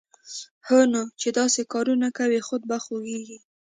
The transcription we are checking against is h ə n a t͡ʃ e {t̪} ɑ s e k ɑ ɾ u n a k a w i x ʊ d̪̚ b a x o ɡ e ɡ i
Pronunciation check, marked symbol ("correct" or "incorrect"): incorrect